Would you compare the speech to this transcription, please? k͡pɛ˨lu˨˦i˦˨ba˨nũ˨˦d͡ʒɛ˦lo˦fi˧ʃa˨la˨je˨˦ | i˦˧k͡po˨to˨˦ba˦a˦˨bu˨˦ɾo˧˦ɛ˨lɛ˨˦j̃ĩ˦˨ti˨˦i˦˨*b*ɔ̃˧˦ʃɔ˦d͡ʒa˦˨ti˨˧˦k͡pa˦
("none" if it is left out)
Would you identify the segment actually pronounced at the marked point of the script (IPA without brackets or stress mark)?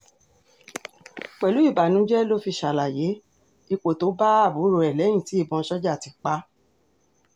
b